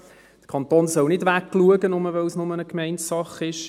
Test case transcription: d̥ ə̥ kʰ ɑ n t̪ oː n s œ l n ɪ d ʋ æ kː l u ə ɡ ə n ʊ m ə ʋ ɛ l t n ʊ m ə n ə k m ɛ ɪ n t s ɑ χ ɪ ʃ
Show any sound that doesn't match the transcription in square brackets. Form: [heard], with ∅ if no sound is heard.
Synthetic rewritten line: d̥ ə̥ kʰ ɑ n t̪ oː n s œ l n ɪ d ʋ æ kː l u ə ɡ ə n ʊ m ə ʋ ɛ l [s] n ʊ m ə n ə k m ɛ ɪ n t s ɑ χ ɪ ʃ